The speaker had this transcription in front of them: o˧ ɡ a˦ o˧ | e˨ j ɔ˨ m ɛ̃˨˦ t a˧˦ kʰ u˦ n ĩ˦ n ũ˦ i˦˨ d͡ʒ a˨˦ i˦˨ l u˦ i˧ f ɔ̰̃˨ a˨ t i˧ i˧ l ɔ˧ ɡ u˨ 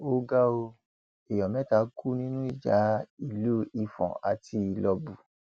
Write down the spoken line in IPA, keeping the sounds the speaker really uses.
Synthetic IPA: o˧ ɡ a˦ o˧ | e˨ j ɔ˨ m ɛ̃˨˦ t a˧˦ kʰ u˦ n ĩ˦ n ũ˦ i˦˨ d͡ʒ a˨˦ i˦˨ l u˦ i˧ f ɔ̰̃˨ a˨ t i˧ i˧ l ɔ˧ b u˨